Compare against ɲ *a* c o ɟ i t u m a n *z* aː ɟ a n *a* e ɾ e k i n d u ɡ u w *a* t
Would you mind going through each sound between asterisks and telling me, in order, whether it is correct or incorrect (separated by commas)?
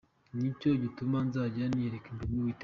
incorrect, correct, incorrect, incorrect